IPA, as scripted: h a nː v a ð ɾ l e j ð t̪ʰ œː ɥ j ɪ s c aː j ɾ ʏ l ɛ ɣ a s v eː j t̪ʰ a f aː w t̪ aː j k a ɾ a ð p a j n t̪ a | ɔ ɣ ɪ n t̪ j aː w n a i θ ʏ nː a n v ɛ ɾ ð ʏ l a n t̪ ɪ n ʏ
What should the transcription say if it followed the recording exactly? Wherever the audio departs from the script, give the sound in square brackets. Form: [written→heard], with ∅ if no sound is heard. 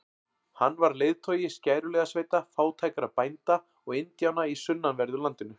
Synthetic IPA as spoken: h a nː v a [ð→∅] ɾ l e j ð t̪ʰ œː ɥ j ɪ s c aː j ɾ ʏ l ɛ ɣ a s v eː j [t̪ʰ→t̪] a f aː w [t̪→t̪ʰ] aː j k a ɾ a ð p a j n t̪ a | ɔ ɣ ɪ n t̪ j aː w n a i [θ→s] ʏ nː a n v ɛ ɾ ð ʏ l a n t̪ ɪ n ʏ